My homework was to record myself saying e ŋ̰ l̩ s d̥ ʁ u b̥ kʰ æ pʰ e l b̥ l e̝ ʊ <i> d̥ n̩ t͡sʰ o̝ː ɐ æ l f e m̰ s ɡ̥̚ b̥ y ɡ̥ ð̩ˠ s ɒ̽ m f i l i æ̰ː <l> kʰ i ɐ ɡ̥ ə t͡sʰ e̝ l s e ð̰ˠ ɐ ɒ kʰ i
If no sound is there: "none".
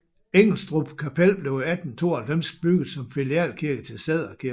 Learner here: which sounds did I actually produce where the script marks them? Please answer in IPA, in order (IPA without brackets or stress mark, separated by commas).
æ, l